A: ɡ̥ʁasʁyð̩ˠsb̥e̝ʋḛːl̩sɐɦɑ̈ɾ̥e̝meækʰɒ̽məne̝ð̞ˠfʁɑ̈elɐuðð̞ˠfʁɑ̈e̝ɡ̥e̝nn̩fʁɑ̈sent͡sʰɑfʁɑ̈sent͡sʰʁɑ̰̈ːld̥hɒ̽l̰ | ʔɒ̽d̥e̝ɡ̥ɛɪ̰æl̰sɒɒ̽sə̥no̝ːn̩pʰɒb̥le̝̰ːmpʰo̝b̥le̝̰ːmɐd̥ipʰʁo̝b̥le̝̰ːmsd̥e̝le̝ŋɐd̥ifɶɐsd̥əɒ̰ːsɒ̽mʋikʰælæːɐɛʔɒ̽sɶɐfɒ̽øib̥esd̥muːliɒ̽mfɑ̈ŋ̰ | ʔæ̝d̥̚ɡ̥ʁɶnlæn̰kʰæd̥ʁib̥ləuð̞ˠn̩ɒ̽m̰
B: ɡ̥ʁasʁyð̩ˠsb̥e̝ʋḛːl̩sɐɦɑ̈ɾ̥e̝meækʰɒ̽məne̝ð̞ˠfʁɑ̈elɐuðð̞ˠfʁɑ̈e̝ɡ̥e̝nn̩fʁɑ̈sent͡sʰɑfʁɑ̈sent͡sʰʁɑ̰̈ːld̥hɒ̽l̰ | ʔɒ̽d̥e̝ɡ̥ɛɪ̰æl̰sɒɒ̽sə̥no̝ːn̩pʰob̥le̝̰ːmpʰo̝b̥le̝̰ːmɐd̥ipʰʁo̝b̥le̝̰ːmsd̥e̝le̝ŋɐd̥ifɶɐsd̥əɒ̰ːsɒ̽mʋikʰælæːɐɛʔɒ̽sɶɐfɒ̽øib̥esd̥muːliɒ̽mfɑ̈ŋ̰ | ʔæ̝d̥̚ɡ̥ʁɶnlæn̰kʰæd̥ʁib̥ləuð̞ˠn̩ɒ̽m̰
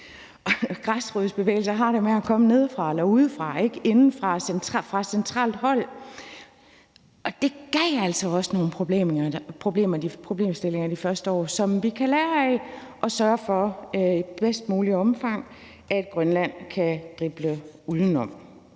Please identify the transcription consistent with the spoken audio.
B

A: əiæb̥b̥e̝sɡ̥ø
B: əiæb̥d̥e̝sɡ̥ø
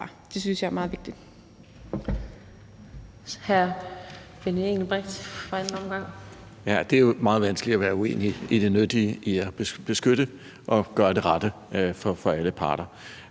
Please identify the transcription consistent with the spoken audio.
A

